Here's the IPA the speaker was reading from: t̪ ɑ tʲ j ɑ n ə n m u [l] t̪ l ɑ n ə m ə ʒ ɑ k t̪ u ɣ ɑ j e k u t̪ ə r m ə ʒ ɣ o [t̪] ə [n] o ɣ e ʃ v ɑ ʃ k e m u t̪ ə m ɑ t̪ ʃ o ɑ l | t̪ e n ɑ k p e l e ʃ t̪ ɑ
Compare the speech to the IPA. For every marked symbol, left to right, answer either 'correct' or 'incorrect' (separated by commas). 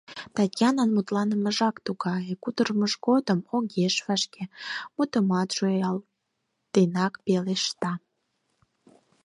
incorrect, incorrect, incorrect